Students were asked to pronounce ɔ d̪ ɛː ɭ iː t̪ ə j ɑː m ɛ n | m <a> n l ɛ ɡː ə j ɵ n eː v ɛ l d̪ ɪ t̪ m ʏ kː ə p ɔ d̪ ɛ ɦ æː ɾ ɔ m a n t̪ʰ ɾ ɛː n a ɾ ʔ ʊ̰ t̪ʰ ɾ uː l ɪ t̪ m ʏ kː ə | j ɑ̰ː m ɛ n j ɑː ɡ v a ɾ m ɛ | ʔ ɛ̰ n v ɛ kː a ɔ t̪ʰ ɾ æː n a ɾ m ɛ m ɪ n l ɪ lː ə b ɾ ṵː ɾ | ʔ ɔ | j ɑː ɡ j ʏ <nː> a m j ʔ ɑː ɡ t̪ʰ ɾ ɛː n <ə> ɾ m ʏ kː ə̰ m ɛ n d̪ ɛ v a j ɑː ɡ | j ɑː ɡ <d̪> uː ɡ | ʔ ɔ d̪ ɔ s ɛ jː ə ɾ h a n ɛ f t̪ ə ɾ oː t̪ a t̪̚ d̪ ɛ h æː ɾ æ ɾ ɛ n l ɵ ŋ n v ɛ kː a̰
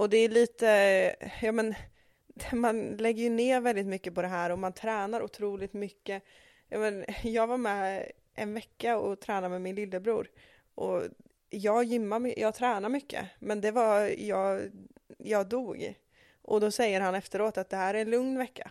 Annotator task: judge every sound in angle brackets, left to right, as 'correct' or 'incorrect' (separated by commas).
correct, incorrect, incorrect, correct